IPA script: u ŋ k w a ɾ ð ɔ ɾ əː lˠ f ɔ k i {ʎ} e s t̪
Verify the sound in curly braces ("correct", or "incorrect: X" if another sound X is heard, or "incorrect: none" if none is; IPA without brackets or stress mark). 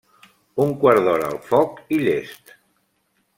correct